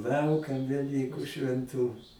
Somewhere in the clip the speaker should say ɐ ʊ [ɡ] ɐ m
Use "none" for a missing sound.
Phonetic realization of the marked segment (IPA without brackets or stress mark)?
k